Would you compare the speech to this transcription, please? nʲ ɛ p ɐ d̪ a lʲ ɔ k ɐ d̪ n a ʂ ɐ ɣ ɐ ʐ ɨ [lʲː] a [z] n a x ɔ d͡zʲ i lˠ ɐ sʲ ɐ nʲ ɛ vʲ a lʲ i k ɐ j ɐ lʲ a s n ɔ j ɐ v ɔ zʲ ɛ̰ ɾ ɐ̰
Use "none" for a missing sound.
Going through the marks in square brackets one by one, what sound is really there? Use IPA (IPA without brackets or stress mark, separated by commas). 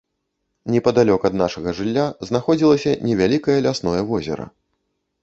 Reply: lʲː, z